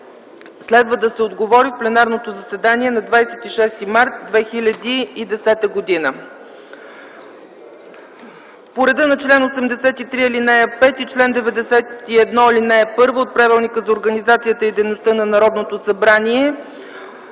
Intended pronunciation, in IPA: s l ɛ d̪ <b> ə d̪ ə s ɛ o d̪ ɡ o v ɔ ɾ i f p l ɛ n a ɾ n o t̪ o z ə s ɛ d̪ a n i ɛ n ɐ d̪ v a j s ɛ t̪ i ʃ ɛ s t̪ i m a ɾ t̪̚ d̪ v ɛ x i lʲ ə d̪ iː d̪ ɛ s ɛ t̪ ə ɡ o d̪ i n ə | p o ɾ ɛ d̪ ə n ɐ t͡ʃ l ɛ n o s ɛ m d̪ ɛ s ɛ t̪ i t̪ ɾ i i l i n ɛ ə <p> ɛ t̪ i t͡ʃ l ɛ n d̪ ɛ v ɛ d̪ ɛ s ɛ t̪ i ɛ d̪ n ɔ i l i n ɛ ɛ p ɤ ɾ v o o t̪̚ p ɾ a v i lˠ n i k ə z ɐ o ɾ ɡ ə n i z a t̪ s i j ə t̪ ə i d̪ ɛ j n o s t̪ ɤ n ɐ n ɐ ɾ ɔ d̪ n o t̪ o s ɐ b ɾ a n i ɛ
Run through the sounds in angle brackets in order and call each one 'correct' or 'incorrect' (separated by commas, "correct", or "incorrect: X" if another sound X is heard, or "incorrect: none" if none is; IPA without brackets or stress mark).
incorrect: v, correct